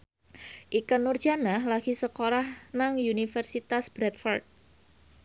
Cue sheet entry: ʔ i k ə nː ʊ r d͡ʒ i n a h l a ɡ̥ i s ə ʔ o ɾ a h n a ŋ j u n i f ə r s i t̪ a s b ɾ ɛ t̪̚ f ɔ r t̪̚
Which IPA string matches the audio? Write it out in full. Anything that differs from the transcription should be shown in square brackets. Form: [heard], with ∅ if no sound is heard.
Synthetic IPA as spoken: ʔ i k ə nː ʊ r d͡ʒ [a] n a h l a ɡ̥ i s ə [k] o ɾ a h n a ŋ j u n i f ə r s i t̪ a s b ɾ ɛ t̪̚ f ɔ r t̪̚